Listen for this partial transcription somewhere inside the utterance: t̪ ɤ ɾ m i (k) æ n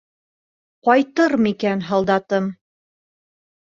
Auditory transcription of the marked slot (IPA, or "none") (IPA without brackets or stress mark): k